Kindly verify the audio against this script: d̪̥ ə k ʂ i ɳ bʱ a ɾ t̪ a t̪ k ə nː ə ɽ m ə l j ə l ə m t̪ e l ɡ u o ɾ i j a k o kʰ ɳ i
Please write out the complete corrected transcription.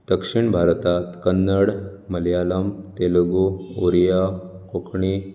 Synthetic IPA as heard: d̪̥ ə k ʂ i ɳ bʱ a ɾ t̪ a t̪ k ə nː ə ɽ m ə l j a l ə m t̪ e l ɡ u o ɾ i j a k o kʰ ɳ i